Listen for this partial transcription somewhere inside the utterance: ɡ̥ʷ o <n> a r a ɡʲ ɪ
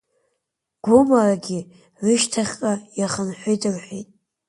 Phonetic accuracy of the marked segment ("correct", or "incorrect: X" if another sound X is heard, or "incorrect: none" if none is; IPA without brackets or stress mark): incorrect: m